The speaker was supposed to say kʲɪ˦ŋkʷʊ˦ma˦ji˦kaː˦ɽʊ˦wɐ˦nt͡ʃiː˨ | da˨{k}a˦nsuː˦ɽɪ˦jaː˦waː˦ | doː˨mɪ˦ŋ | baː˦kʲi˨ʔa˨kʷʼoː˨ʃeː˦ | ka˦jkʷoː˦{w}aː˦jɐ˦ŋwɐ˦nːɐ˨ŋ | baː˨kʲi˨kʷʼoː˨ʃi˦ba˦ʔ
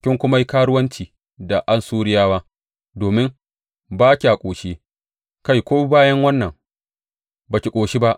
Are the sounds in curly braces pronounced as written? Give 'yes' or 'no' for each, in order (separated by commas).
no, no